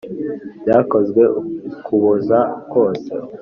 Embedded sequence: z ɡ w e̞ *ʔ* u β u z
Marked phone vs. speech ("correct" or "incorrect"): incorrect